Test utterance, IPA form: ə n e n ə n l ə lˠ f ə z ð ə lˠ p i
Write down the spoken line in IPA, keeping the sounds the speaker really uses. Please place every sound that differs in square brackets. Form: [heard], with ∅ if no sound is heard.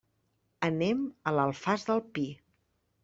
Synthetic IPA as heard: ə n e [m] ə [∅] l ə lˠ f [a] z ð ə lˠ p i